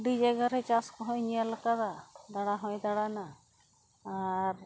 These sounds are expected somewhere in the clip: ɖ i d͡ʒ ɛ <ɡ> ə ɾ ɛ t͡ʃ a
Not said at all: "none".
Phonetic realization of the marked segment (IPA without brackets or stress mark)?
ɡ